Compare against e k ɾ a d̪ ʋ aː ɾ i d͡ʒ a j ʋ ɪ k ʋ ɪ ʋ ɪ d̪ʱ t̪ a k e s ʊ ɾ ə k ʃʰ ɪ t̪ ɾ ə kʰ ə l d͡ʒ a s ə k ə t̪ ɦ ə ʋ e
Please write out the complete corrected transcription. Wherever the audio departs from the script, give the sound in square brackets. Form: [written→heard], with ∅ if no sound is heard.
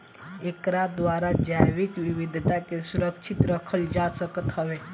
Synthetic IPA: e k ɾ a d̪ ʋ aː ɾ [i→a] d͡ʒ a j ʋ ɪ k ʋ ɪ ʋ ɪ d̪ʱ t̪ a k e s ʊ ɾ ə k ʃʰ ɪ t̪ ɾ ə kʰ ə l d͡ʒ a s ə k ə t̪ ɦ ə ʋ e